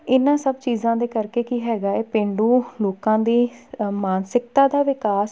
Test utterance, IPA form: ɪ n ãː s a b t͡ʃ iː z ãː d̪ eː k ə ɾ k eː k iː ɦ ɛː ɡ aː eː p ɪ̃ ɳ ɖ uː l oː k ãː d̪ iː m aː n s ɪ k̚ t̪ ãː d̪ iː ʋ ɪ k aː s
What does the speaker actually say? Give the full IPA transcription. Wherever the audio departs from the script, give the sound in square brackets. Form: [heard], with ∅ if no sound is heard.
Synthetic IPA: ɪ n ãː s [ə] b t͡ʃ iː z ãː d̪ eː k ə ɾ k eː k iː ɦ ɛː ɡ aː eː p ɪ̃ ɳ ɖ uː l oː k ãː d̪ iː m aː n s ɪ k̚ t̪ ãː d̪ [aː] ʋ ɪ k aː s